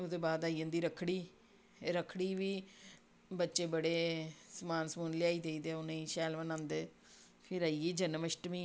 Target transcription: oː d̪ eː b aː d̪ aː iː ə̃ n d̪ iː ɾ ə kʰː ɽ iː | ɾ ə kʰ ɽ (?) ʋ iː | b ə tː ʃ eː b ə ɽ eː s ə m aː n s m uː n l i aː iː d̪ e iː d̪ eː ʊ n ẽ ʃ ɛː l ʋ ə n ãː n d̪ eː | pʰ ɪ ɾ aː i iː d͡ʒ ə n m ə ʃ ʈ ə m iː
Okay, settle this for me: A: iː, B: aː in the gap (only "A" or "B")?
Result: A